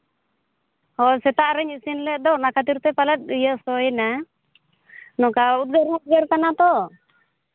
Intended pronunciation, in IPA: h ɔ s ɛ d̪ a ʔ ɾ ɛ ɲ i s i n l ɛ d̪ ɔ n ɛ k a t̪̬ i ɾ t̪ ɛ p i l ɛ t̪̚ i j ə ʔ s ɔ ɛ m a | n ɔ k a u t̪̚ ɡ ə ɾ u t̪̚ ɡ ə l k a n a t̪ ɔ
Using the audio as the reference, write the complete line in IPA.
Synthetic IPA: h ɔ s ɛ t̪ a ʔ ɾ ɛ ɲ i s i n l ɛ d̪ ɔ n a k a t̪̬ i ɾ t̪ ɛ p a l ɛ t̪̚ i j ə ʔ s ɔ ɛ n a | n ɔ k a u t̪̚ ɡ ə ɾ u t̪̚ ɡ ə ɾ k a n a t̪ ɔ